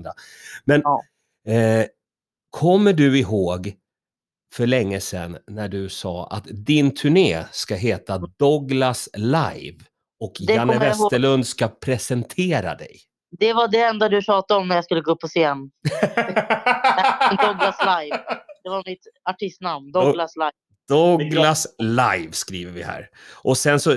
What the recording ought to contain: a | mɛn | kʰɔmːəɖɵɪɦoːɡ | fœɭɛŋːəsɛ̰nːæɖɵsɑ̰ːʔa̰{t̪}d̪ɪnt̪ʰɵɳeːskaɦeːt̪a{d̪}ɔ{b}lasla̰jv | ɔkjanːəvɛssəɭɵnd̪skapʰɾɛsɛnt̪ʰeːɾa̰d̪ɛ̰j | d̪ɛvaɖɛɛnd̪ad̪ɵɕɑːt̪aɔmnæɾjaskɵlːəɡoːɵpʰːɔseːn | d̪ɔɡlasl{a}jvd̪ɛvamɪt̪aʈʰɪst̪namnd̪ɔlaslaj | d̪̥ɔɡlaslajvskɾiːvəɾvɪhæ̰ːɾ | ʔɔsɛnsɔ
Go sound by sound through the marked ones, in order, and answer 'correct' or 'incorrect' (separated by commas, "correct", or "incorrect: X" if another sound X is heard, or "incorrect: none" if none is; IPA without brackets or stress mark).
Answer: correct, correct, incorrect: ɡ, correct